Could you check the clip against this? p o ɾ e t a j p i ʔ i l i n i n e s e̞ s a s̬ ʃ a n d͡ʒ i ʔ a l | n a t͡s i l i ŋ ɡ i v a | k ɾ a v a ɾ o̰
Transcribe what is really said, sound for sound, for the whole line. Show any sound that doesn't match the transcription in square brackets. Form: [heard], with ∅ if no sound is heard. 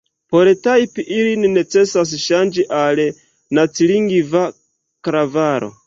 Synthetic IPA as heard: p o ɾ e t a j p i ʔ i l i n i n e [t͡s] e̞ s a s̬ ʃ a n d͡ʒ i ʔ a l | n a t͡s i l i ŋ ɡ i v a | k ɾ a v a ɾ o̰